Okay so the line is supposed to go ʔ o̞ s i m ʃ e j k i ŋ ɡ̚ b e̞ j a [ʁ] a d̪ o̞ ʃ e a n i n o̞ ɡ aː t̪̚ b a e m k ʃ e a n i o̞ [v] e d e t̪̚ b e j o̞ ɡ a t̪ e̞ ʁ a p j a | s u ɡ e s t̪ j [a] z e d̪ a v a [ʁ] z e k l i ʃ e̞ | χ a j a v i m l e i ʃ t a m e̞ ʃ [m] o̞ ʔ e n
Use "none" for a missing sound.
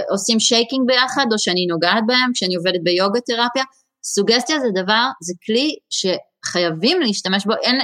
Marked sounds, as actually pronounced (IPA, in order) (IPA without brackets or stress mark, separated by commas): χ, v, a, ʁ, b